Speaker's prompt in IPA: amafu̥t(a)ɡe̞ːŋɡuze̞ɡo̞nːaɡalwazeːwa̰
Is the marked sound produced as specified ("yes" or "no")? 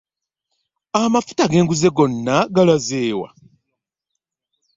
yes